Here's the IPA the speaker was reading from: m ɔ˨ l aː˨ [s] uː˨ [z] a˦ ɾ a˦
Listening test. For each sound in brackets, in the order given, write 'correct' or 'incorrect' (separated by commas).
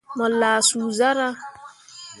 correct, correct